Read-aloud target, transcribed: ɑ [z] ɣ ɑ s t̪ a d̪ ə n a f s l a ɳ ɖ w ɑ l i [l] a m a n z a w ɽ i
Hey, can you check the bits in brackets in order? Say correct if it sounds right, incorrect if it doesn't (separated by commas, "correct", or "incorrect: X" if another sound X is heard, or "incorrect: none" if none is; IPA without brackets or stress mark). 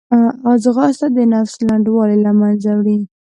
correct, correct